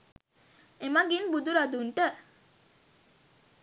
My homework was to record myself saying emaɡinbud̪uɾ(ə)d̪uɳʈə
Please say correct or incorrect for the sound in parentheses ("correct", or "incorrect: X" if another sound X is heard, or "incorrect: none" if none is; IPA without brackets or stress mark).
incorrect: a